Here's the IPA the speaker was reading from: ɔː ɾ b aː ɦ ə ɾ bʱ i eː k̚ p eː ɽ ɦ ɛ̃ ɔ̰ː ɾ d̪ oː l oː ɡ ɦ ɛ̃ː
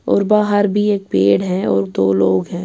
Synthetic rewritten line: ɔː ɾ b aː ɦ ə ɾ bʱ i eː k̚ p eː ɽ ɦ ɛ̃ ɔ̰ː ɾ d̪ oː l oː ɡ ɦ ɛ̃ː